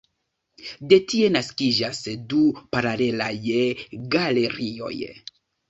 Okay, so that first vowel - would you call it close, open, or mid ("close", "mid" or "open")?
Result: mid